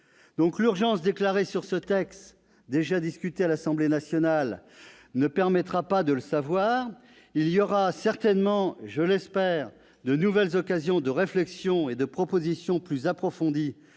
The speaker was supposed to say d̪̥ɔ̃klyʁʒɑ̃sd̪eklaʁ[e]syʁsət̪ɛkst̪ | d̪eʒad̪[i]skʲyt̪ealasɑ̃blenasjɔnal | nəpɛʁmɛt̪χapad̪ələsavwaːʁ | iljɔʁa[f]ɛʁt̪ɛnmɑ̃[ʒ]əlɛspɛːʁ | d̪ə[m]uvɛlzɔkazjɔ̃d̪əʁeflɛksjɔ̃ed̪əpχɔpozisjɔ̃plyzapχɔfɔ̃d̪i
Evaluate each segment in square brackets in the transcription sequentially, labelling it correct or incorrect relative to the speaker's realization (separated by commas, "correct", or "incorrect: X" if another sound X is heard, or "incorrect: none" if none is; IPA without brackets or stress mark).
correct, correct, incorrect: s, correct, incorrect: n